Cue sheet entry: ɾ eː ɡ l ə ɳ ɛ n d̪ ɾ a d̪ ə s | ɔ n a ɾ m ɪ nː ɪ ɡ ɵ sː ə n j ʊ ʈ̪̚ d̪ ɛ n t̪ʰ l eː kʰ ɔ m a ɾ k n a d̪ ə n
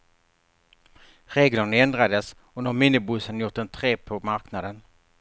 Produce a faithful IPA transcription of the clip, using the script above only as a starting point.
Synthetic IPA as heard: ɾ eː ɡ l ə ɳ ɛ n d̪ ɾ a d̪ ə s | ɔ n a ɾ m ɪ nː ɪ b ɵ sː ə n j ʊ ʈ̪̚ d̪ ɛ n t̪ʰ ɾ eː pʰ ɔ m a ɾ k n a d̪ ə n